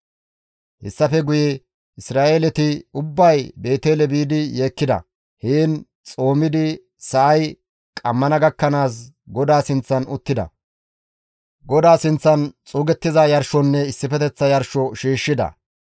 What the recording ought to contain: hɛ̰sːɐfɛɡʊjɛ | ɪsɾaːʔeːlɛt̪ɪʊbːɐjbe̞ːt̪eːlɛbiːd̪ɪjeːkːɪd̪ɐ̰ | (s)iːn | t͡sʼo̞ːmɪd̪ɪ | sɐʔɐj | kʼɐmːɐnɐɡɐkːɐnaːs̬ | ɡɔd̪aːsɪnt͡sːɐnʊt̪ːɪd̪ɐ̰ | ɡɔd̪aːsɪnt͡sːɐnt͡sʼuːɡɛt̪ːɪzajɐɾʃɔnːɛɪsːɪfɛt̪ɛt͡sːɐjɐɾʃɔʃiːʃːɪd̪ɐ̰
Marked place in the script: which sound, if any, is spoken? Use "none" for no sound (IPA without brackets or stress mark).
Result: h